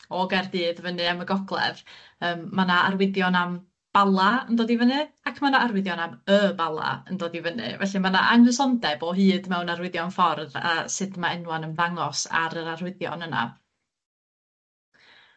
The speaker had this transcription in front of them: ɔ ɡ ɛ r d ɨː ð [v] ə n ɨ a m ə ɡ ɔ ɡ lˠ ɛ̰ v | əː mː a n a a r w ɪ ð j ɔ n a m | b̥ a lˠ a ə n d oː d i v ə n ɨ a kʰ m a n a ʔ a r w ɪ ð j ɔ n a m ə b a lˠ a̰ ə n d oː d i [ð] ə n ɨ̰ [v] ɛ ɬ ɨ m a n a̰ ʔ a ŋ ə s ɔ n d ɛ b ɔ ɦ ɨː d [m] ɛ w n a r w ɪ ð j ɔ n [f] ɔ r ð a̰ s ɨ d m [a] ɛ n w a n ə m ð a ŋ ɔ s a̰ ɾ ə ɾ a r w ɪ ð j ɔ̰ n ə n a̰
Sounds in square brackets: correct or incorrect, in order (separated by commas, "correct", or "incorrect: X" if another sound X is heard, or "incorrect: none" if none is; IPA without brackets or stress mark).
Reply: correct, incorrect: v, correct, correct, correct, correct